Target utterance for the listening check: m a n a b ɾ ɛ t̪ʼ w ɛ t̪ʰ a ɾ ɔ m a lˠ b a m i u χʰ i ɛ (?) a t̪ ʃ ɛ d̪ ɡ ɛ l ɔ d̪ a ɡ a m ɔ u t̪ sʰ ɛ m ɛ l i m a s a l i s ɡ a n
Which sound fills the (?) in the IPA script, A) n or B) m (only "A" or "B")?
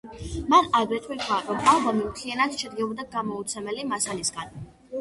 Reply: A